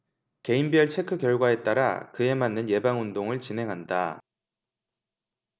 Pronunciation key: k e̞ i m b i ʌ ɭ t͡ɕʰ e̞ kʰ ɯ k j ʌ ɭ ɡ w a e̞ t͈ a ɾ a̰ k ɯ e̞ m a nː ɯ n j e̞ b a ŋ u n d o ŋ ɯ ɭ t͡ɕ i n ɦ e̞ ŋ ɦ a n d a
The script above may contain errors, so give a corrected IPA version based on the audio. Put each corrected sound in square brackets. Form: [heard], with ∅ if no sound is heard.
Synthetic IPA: k e̞ i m b i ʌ ɭ t͡ɕʰ e̞ kʰ ɯ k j ʌ ɭ ɡ w a e̞ t͈ a ɾ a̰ k ɯ e̞ m a nː ɯ n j e̞ b a ŋ u n d o ŋ ɯ ɭ t͡ɕ i n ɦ e̞ ŋ ɦ a n d a